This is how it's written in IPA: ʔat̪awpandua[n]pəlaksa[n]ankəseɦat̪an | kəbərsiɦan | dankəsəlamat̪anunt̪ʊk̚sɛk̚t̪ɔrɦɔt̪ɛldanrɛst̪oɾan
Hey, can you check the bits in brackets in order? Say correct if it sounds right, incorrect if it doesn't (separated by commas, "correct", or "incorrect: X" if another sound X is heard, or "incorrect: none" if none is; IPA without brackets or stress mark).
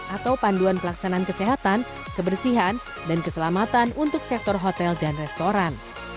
correct, correct